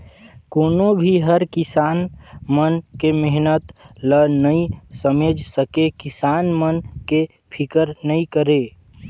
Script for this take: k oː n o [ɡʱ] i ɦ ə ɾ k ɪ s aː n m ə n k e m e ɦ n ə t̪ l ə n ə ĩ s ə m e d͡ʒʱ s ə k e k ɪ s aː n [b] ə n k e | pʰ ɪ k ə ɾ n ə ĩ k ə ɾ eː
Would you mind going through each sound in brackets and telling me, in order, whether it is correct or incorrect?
incorrect: bʱ, incorrect: m

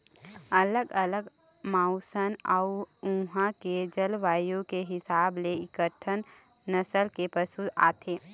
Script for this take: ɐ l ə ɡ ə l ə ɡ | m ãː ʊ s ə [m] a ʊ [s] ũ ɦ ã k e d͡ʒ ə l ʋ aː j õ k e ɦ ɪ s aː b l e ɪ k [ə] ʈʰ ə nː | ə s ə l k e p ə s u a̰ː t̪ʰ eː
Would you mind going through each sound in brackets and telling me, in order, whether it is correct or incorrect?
incorrect: n, incorrect: none, correct

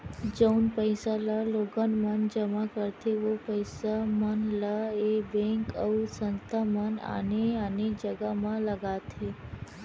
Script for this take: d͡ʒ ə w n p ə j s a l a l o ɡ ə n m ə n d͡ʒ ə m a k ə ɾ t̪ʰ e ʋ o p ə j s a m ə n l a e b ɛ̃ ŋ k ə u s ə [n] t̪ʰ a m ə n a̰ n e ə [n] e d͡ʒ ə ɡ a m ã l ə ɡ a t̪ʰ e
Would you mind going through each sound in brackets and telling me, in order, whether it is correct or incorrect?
correct, correct

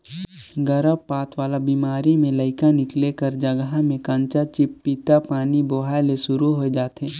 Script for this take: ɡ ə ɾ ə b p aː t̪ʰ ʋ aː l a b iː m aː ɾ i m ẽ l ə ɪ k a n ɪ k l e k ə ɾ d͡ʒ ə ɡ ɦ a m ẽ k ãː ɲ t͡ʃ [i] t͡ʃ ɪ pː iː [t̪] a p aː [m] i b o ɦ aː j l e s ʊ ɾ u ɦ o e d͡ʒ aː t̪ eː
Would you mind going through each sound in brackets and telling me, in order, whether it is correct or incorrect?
incorrect: a, correct, incorrect: n

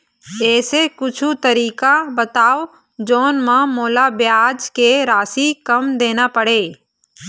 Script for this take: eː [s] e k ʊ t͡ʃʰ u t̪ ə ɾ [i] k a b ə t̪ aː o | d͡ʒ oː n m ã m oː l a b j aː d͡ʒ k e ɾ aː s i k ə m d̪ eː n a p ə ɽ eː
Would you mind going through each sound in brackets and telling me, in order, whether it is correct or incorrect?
correct, incorrect: iː

